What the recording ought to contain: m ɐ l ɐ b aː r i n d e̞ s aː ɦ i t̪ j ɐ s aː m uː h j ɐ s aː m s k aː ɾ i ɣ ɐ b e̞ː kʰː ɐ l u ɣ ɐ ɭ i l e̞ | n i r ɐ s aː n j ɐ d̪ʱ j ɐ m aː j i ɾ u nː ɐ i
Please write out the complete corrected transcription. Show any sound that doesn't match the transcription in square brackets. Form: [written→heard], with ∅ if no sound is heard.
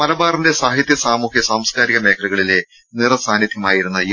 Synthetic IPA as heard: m ɐ l ɐ b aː r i n d e̞ s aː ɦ i t̪ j ɐ s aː m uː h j ɐ s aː m s k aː ɾ i ɣ ɐ [b→m] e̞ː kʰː ɐ l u ɣ ɐ ɭ i l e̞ | n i r ɐ s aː n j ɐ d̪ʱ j ɐ m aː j i ɾ u nː ɐ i